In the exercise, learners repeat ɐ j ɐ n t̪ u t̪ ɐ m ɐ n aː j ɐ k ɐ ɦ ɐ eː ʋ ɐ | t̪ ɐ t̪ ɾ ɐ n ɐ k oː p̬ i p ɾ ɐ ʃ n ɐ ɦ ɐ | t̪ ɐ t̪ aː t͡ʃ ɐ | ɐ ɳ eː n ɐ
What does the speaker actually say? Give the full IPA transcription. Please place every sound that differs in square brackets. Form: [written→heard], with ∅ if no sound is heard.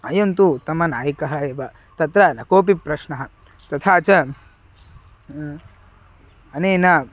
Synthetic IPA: ɐ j ɐ n t̪ u t̪ ɐ m ɐ n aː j ɐ k ɐ ɦ ɐ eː ʋ ɐ | t̪ ɐ t̪ ɾ ɐ n ɐ k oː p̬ i p ɾ ɐ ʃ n ɐ ɦ ɐ | t̪ ɐ [t̪→t̪ʰ] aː t͡ʃ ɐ | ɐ [ɳ→n] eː n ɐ